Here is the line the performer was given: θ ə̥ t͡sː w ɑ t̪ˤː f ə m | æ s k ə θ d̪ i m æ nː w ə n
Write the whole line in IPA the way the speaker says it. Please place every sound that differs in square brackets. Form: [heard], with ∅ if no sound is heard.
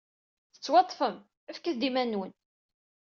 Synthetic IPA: θ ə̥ t͡sː w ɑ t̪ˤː f ə m | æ [f] k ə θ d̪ i m æ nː w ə n